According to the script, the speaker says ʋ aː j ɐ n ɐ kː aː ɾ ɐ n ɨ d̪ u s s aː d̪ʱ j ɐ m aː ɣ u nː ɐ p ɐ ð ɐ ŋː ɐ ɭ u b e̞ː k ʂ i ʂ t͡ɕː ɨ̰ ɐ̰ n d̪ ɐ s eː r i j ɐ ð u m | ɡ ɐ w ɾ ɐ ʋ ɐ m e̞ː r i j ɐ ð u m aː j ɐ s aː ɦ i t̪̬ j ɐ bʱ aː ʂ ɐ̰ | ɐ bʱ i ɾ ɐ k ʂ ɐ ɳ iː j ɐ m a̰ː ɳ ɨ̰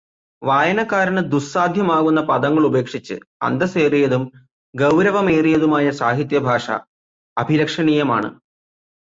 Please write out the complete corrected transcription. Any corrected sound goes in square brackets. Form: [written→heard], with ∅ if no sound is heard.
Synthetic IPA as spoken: ʋ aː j ɐ n ɐ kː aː ɾ ɐ n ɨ d̪ u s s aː d̪ʱ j ɐ m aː ɣ u nː ɐ p ɐ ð ɐ ŋː ɐ ɭ u b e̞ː k ʂ i [ʂ→∅] t͡ɕː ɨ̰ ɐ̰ n d̪ ɐ s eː r i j ɐ ð u m | ɡ ɐ w ɾ ɐ ʋ ɐ m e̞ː r i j ɐ ð u m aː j ɐ s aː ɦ i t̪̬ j ɐ bʱ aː ʂ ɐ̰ | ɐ bʱ i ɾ ɐ k ʂ ɐ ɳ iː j ɐ m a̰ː ɳ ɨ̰